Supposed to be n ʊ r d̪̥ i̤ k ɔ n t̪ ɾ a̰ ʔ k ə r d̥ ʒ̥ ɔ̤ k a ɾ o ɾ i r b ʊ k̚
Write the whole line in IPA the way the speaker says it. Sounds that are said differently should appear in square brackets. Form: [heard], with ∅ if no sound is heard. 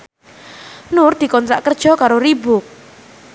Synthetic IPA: n ʊ r d̪̥ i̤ k ɔ n t̪ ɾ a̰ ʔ k ə r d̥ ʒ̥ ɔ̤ k a ɾ o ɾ i [∅] b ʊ k̚